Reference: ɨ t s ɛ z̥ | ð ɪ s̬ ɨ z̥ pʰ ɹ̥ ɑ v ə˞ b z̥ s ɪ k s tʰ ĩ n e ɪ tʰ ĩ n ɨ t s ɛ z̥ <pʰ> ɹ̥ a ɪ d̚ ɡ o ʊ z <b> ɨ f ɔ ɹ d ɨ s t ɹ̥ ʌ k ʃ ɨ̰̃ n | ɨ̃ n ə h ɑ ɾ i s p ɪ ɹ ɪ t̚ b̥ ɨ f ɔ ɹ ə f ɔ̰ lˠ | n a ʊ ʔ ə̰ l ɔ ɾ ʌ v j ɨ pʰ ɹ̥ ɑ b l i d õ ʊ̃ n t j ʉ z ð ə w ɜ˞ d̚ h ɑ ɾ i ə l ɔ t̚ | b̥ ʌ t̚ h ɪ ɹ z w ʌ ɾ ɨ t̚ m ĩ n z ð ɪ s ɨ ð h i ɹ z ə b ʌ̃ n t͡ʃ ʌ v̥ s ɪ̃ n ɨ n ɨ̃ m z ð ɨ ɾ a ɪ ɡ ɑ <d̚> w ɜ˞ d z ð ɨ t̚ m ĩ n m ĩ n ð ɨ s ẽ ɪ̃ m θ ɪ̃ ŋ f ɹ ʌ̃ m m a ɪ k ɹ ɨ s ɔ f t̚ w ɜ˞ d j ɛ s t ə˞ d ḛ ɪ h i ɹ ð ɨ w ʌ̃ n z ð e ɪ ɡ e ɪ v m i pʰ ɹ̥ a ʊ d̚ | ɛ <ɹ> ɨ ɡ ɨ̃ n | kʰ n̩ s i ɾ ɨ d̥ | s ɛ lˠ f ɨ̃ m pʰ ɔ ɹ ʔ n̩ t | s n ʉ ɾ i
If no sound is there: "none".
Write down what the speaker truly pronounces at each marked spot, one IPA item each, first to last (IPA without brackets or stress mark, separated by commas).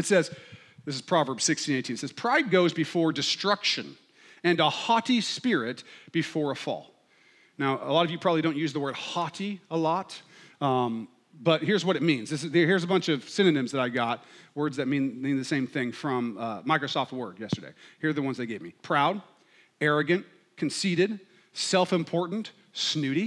pʰ, b, t̚, ɹ